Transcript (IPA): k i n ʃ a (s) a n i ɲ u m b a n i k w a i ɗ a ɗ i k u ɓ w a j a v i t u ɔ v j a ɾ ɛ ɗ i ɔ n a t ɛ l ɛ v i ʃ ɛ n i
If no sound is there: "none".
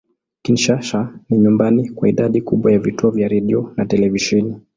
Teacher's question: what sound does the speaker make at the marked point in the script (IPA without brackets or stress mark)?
ʃ